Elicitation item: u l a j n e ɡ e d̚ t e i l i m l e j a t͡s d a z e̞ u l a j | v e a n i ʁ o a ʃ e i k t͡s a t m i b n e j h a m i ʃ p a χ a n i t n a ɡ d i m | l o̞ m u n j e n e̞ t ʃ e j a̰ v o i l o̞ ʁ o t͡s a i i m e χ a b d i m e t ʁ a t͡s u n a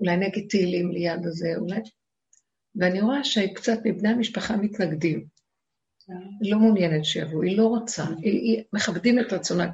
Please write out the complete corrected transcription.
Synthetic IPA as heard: u l a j n e ɡ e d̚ t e i l i m l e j a d a z e̞ u l a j | v e a n i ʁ o a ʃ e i k t͡s a t m i b n e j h a m i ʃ p a χ a m i t n a ɡ d i m | l o̞ m u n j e n e̞ t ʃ e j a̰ v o i l o̞ ʁ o t͡s a i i m e χ a b d i m e t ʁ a t͡s o n a